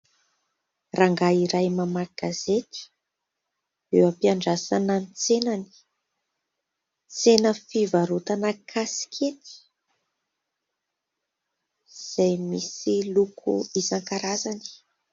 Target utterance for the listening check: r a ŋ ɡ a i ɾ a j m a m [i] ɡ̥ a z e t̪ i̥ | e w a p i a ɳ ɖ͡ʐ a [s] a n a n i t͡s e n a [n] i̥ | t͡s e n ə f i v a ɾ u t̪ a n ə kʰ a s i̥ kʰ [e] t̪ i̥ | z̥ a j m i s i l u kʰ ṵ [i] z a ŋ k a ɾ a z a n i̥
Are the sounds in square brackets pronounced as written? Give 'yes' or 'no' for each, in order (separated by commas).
no, yes, yes, yes, yes